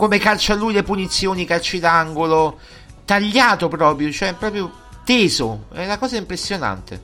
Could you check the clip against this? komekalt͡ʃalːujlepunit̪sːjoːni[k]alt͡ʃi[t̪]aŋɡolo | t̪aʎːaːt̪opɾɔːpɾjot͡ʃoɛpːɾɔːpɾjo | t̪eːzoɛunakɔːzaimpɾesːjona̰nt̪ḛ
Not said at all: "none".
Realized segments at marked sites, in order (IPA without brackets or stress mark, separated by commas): k, d̪